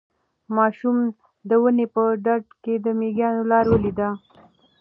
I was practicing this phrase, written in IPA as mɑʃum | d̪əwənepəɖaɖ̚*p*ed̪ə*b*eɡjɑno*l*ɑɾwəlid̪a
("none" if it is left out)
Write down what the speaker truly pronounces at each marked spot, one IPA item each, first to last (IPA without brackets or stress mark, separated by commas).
k, m, l